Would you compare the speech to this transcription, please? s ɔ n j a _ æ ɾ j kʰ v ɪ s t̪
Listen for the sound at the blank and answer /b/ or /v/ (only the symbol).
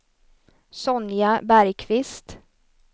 b